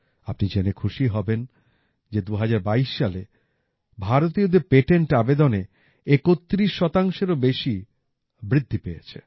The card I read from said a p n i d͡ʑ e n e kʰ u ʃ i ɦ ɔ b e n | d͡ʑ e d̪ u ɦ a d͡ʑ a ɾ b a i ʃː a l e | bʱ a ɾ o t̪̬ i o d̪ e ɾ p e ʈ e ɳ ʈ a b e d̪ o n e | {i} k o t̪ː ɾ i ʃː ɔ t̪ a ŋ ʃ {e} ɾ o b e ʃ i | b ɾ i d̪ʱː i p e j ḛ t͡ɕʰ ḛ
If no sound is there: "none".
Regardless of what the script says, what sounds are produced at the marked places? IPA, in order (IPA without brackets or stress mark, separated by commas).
e, e